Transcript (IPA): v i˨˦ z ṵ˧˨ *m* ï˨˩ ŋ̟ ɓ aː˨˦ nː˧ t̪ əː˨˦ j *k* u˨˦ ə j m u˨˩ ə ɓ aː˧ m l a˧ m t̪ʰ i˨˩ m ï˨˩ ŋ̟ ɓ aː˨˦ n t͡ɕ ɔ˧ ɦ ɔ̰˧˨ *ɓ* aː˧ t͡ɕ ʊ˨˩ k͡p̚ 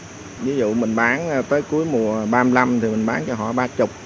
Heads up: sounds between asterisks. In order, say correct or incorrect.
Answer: correct, correct, correct

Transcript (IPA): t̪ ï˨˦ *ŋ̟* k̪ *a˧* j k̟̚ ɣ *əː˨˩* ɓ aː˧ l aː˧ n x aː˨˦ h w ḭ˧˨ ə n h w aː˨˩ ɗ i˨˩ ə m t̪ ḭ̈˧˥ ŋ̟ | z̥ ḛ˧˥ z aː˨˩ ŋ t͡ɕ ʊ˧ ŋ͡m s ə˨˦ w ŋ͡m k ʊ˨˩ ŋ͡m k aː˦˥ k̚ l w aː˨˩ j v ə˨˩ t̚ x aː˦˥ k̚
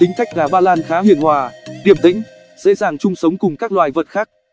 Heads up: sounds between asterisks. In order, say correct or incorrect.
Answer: correct, incorrect: a˦˥, incorrect: aː˨˩

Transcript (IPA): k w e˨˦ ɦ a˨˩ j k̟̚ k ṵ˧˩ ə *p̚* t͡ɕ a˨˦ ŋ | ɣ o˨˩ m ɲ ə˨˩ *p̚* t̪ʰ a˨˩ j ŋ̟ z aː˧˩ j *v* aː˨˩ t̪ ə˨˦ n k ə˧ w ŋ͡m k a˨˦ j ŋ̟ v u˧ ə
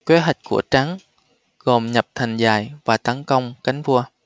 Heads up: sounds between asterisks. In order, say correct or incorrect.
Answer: incorrect: none, correct, correct

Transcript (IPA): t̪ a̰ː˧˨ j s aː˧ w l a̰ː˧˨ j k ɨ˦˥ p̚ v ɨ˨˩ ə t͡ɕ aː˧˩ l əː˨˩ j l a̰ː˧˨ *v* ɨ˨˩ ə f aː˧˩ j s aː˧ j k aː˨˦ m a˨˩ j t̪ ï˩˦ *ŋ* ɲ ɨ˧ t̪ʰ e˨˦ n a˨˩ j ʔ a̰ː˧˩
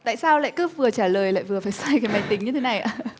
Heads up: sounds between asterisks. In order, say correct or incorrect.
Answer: correct, correct

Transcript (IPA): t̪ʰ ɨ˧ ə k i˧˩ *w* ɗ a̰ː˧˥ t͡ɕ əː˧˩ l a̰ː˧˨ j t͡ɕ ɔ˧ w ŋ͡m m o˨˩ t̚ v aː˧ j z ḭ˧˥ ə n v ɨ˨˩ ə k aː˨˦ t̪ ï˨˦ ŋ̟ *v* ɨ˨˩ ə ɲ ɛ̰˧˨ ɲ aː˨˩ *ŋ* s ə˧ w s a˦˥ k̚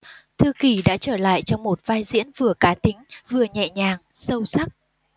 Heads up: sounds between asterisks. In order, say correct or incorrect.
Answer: incorrect: none, correct, correct

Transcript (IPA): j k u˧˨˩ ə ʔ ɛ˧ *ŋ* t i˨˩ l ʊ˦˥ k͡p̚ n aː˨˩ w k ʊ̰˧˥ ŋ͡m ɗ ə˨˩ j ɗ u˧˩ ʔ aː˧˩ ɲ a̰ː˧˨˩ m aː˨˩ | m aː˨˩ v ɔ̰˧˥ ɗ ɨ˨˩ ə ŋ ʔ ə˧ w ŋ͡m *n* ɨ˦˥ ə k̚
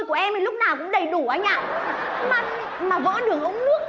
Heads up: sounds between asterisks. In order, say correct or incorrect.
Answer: incorrect: m, correct

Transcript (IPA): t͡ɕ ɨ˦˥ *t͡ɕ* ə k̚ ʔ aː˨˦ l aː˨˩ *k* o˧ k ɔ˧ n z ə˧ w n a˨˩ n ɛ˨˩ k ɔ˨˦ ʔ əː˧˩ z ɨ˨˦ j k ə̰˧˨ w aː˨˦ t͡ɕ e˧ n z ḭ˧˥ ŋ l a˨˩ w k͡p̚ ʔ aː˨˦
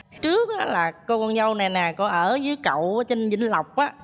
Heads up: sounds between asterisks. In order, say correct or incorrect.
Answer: incorrect: none, correct

